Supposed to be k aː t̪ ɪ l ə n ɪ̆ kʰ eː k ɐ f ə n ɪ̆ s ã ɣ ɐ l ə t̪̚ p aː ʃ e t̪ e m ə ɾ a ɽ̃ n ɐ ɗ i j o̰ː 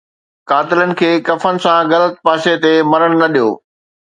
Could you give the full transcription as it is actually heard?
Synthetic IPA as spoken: k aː t̪ ɪ l ə n ɪ̆ kʰ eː k ɐ f ə n ɪ̆ s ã ɣ ɐ l ə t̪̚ p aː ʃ e t̪ e m ɐ ɾ ə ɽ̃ n ɐ ɗ i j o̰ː